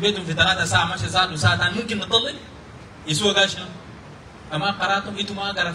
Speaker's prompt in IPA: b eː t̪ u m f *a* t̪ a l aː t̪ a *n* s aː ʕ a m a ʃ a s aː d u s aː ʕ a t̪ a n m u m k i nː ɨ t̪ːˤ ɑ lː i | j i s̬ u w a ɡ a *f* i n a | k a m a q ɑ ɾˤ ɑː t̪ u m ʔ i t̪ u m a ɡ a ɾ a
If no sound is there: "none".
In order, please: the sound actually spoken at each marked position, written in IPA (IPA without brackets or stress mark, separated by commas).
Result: i, none, ʃ